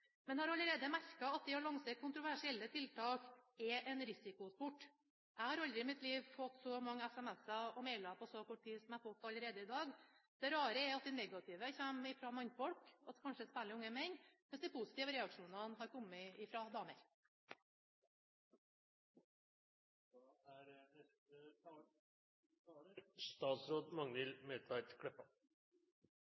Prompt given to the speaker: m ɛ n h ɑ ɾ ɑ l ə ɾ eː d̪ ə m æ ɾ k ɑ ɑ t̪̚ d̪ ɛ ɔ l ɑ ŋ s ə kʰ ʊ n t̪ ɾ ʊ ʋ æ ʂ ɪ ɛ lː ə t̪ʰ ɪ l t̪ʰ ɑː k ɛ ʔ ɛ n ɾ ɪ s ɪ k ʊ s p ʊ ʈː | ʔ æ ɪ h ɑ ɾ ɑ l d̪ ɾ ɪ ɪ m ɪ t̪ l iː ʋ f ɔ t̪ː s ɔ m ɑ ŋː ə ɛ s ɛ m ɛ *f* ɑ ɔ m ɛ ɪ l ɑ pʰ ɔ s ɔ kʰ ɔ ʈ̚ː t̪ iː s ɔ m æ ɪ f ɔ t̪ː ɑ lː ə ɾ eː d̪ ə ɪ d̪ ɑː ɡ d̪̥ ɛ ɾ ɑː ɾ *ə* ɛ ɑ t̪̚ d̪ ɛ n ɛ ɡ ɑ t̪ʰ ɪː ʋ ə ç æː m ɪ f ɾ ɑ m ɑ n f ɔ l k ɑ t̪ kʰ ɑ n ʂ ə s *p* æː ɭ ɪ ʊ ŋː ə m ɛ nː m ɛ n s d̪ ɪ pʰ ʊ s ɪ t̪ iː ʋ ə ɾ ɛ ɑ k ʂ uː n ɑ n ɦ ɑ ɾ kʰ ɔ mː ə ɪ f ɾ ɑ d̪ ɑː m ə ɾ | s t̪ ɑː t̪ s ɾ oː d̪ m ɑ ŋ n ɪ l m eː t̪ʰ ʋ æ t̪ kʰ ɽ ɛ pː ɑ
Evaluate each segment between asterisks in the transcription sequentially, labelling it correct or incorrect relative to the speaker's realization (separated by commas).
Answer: incorrect, correct, correct